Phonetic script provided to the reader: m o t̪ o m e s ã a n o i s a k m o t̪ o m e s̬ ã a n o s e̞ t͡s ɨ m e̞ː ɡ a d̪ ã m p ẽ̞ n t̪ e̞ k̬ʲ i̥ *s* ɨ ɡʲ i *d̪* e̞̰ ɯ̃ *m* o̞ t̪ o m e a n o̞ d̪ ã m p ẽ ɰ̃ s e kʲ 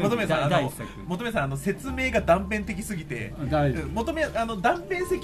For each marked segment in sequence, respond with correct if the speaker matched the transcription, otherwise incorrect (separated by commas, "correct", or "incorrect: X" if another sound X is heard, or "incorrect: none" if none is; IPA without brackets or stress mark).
correct, incorrect: t̪, correct